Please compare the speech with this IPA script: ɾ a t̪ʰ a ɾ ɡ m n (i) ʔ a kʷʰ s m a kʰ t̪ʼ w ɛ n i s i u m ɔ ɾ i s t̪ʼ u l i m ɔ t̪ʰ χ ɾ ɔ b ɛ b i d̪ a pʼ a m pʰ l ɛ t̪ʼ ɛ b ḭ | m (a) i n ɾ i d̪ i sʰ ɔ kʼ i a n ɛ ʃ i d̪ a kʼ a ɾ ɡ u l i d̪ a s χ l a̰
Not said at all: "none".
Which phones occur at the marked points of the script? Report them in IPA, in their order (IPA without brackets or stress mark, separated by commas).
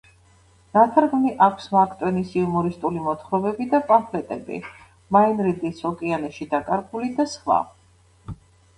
i, a